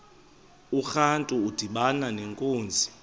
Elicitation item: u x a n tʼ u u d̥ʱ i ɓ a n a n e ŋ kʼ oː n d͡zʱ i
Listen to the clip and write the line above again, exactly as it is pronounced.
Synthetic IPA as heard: u x a n tʼ u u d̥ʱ i ɓ a n a n e ŋ kʼ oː n d͡zʱ i